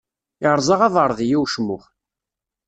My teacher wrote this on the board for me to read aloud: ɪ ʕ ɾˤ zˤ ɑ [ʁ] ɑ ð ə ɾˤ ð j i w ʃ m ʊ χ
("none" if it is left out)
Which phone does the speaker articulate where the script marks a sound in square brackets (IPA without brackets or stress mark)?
ʁ